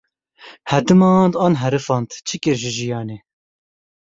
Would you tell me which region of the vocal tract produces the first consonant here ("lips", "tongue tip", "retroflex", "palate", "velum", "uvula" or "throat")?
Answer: throat